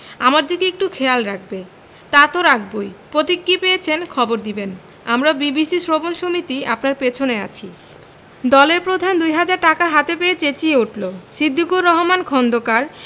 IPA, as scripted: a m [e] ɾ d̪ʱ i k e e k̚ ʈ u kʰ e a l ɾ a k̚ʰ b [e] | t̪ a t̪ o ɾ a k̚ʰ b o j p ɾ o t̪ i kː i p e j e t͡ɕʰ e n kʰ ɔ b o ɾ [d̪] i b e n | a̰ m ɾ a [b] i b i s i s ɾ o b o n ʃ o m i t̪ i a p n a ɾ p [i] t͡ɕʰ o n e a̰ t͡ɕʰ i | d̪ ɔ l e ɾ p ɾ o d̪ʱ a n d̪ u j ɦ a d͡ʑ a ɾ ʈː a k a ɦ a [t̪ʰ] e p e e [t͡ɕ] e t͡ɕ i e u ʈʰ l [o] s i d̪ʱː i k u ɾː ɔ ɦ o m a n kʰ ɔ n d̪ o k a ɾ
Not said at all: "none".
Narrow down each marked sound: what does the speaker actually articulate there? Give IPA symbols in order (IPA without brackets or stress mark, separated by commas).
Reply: a, e, d̪, b, e, t̪, t͡ɕ, o